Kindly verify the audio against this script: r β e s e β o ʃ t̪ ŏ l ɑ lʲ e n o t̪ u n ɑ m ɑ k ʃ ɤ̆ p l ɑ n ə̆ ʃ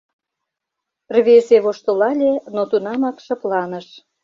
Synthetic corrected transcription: r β e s e β o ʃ t̪ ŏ l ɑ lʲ e n o t̪ u n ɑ m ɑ k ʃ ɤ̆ p l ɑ n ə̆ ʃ